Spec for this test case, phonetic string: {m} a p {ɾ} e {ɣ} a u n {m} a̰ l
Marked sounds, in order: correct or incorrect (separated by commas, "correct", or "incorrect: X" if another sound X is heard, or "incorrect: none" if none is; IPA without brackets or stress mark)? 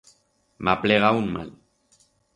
correct, incorrect: l, correct, correct